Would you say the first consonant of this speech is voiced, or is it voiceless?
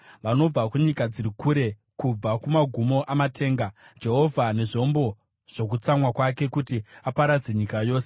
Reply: voiced